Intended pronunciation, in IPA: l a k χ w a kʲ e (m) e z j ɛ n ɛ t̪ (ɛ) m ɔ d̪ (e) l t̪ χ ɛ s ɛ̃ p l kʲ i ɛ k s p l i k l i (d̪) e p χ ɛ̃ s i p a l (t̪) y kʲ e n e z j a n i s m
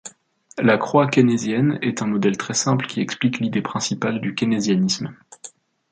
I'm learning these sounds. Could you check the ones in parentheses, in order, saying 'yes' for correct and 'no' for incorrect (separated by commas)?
no, no, no, yes, no